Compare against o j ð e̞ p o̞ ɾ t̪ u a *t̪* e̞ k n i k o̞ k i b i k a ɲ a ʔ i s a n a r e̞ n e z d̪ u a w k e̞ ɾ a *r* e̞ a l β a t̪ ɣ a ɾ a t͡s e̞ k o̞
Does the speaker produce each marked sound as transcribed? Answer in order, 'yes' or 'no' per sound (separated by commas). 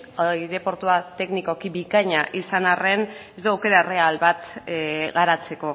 yes, yes